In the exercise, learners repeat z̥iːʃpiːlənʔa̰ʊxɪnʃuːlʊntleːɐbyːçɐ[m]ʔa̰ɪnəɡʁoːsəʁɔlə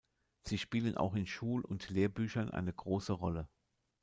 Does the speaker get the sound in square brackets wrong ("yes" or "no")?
yes